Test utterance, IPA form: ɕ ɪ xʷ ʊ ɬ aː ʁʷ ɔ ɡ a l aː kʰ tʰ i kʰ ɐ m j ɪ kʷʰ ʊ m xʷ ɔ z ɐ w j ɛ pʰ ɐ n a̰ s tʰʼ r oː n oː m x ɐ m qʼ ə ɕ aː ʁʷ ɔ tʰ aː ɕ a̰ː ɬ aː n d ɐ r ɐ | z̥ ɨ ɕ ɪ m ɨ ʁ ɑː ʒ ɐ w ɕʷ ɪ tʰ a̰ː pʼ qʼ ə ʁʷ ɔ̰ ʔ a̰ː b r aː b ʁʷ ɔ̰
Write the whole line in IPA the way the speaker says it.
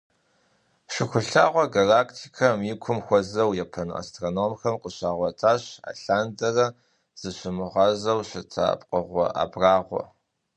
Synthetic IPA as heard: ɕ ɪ xʷ ʊ ɬ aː ʁʷ ɔ ɡ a l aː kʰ tʰ i kʰ ɐ m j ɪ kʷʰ ʊ m xʷ ɔ z ɐ w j ɛ pʰ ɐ n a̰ s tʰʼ r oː n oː m x ɐ m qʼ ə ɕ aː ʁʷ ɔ tʰ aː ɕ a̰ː ɬ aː n d ɐ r ɐ | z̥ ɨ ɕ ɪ m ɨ ʁ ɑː z ɐ w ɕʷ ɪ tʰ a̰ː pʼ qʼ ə ʁʷ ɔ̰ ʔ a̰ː b r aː ʁʷ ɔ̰